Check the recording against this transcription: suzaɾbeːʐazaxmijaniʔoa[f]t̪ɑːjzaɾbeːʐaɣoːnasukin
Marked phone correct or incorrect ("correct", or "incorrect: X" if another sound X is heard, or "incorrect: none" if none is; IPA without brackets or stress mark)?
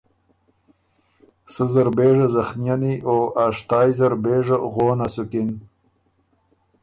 incorrect: ʂ